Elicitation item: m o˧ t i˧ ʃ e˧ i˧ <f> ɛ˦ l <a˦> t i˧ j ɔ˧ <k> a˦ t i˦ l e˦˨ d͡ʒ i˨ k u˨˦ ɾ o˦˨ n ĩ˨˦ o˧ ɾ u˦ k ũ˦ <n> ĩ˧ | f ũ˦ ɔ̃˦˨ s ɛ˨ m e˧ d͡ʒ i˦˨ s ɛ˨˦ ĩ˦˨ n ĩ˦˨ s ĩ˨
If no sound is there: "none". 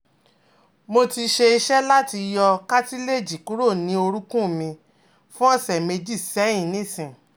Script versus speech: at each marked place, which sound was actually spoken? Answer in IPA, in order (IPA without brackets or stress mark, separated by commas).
ʃ, a˦, k, m